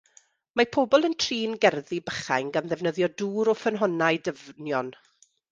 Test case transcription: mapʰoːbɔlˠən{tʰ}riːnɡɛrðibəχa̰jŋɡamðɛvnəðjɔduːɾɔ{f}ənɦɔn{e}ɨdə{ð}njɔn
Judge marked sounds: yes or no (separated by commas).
yes, yes, no, no